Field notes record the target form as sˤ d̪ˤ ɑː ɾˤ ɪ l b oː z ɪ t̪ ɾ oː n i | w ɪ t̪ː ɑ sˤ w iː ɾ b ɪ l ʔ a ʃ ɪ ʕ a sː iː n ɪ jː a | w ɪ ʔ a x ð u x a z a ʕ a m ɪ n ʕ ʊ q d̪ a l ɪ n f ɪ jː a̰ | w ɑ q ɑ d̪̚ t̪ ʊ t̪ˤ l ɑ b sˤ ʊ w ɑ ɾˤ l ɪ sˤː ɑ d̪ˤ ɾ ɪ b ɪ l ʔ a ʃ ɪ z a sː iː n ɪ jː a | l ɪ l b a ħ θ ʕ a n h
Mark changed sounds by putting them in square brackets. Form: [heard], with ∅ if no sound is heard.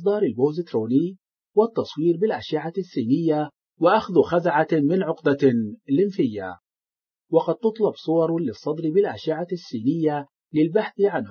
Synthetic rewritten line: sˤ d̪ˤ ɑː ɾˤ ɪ l b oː z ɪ t̪ ɾ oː n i | w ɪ t̪ː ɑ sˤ w iː ɾ b ɪ l ʔ a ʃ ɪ ʕ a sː iː n ɪ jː a | w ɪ ʔ a x ð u x a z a ʕ a m ɪ n ʕ ʊ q d̪ a l ɪ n f ɪ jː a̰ | w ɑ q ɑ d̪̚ t̪ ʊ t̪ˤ l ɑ b sˤ ʊ w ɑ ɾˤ l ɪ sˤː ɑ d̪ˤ ɾ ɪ b ɪ l ʔ a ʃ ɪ [ʕ] a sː iː n ɪ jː a | l ɪ l b a ħ θ ʕ a n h